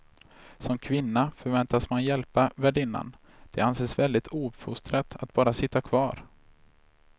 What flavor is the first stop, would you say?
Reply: aspirated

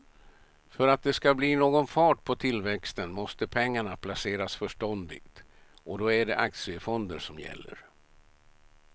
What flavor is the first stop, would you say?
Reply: plain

